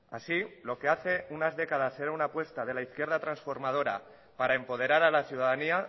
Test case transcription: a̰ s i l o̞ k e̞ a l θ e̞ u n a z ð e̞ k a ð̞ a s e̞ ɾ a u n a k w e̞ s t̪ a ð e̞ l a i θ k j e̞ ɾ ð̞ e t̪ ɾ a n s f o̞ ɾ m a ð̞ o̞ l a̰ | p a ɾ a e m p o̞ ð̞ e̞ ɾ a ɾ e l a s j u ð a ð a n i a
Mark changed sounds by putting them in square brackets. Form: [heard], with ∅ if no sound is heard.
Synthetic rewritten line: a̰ s i l o̞ k e̞ a [∅] θ e̞ u n a z ð e̞ k a ð̞ a s e̞ ɾ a u n a [p] w e̞ s t̪ a ð e̞ l a i θ k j e̞ ɾ ð̞ [a] t̪ ɾ a n s f o̞ ɾ m a ð̞ o̞ [ɾ] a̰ | p a ɾ a e m p o̞ ð̞ e̞ ɾ a ɾ [a] l a [θ] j u ð a ð a n i a